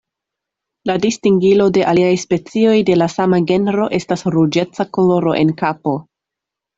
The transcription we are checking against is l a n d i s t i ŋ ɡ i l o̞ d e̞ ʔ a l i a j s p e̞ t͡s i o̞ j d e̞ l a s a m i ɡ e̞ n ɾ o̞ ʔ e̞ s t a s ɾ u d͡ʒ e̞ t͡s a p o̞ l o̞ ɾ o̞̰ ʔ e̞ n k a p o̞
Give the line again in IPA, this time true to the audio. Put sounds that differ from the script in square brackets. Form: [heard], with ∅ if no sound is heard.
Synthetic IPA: l a [∅] d i s t i ŋ ɡ i l o̞ d e̞ ʔ a l i a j s p e̞ t͡s i o̞ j d e̞ l a s a m [a] ɡ e̞ n ɾ o̞ ʔ e̞ s t a s ɾ u d͡ʒ e̞ t͡s a [k] o̞ l o̞ ɾ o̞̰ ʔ e̞ n k a p o̞